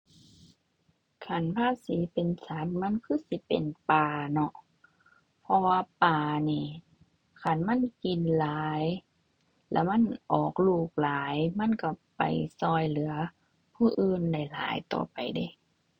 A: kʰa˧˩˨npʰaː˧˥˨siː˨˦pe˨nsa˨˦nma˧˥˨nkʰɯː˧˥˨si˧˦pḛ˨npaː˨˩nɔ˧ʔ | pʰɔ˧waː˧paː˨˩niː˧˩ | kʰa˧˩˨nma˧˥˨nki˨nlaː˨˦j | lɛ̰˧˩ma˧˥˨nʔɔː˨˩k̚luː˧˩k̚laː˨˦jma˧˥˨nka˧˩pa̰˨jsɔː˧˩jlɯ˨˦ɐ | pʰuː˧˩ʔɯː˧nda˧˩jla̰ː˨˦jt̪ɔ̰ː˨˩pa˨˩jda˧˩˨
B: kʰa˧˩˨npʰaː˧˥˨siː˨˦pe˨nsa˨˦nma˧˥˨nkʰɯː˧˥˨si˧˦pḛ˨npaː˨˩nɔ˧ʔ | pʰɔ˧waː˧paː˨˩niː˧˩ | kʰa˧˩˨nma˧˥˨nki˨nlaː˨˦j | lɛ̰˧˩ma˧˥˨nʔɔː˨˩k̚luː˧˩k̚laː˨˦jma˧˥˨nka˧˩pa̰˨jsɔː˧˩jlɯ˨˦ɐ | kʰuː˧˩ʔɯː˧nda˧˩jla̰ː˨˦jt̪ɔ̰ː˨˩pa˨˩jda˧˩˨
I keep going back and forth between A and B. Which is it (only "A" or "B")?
A